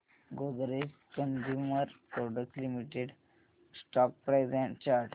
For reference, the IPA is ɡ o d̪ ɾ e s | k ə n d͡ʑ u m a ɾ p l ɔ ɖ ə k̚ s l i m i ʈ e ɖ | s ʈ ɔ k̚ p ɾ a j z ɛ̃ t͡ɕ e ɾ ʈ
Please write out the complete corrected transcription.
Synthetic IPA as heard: ɡ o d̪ ɾ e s | k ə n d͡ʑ u m ə ɾ p ɾ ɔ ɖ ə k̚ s l i m i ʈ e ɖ | s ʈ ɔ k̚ p ɾ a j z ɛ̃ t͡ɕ a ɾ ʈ